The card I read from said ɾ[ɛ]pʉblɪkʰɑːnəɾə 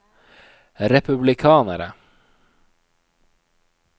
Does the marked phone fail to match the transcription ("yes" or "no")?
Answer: no